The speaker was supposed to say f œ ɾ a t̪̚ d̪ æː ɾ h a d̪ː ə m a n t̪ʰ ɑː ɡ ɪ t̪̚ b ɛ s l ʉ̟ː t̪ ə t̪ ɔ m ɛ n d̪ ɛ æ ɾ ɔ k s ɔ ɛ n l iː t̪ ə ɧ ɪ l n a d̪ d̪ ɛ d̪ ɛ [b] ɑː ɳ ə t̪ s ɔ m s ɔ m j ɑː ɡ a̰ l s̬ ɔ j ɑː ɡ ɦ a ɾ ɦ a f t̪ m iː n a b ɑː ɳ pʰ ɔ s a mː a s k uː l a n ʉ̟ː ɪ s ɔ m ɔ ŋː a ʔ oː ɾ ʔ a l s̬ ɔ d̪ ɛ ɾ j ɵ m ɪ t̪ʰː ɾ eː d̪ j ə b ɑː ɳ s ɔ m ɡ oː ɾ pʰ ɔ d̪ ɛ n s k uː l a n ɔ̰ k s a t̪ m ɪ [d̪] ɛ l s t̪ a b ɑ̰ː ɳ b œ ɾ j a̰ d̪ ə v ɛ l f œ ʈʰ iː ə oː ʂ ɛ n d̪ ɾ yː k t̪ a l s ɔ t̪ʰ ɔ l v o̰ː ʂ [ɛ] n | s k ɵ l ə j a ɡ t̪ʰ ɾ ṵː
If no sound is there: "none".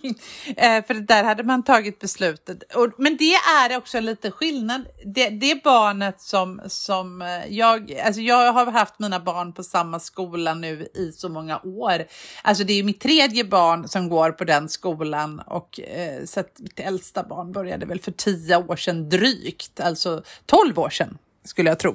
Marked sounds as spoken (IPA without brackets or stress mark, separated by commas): b, t̪, ɛ